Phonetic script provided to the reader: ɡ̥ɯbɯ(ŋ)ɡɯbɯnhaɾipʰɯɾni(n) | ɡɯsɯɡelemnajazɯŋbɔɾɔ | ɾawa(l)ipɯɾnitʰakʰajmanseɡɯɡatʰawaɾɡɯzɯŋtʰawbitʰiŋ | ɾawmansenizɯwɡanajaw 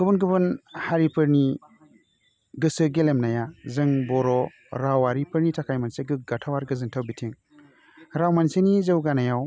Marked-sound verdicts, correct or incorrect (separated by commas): incorrect, incorrect, incorrect